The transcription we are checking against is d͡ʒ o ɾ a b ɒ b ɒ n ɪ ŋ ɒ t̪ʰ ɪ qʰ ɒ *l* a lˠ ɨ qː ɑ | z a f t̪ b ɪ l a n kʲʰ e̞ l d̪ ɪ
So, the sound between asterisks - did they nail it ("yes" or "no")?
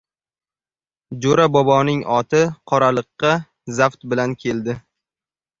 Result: no